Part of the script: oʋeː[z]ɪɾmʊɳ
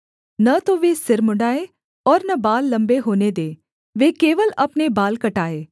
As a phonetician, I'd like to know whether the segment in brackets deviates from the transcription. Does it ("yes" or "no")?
yes